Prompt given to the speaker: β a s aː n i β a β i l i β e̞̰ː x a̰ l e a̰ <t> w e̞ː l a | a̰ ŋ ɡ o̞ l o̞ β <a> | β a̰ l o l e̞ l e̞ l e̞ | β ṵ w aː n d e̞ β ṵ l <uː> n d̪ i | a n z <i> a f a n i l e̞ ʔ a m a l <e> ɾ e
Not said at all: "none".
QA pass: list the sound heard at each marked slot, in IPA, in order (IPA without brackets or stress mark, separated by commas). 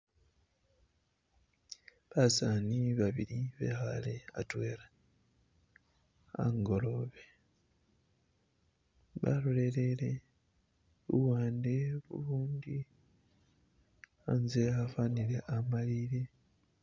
t, e, uː, e, i